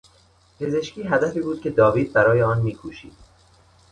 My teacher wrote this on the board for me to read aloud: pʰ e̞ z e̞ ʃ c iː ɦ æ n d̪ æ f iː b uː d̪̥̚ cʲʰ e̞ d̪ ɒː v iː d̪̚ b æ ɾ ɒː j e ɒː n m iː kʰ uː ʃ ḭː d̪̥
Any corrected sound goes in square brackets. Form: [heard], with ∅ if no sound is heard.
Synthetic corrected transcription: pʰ e̞ z e̞ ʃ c iː ɦ æ [∅] d̪ æ f iː b uː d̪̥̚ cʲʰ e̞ d̪ ɒː v iː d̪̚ b æ ɾ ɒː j e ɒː n m iː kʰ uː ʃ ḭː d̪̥